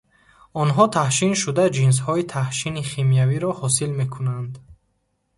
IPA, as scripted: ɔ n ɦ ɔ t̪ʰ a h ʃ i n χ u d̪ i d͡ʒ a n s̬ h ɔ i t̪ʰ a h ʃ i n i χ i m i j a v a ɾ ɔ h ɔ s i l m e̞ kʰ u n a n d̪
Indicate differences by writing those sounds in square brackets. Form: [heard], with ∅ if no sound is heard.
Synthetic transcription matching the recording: ɔ n ɦ ɔ t̪ʰ a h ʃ i n [ʃ] u d̪ [a] d͡ʒ [i] n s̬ h ɔ i t̪ʰ a h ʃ i n i χ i m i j a v [i] ɾ ɔ h ɔ s i l m e̞ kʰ u n a n d̪